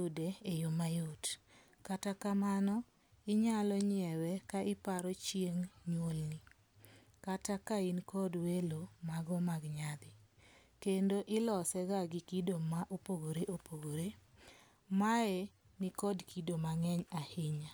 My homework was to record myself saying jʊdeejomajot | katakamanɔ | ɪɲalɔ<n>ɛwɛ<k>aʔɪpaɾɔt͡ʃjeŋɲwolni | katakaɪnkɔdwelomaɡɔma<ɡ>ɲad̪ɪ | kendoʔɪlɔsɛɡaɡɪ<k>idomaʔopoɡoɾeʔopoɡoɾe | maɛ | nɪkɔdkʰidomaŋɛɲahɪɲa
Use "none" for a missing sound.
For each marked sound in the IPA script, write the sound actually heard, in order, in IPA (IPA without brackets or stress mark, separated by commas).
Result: ɲ, k, ɡ, k